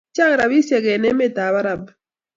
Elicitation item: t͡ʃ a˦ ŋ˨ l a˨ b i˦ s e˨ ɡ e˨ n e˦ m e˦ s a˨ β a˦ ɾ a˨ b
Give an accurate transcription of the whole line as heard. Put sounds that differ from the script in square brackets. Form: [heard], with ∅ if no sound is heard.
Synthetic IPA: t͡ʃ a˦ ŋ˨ [ɾ] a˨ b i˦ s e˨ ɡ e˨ n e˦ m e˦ [t] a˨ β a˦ ɾ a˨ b